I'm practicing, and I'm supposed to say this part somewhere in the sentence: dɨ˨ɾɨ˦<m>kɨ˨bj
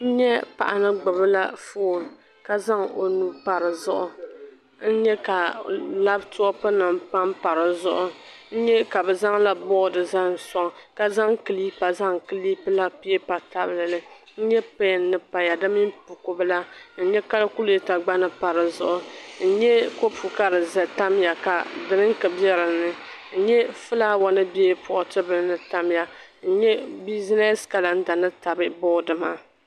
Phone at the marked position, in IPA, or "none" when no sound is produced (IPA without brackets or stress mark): ŋ